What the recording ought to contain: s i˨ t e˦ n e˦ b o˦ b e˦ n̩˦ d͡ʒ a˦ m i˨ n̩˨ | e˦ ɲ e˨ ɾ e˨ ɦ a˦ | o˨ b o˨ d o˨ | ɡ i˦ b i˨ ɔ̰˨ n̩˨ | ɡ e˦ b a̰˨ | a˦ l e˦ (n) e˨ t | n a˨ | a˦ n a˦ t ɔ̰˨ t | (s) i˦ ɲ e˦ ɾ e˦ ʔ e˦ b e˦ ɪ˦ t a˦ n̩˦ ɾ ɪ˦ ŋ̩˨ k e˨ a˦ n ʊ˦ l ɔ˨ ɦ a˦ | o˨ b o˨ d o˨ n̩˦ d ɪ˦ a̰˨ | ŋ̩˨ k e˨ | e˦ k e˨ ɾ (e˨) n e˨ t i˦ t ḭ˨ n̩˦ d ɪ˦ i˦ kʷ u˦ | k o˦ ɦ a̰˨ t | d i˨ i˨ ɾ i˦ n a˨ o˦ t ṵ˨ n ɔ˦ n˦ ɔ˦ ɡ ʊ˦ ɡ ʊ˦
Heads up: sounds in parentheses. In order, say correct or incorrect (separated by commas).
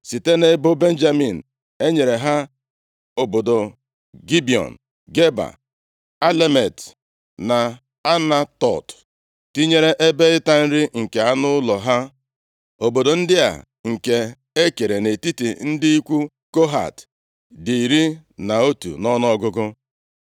incorrect, incorrect, correct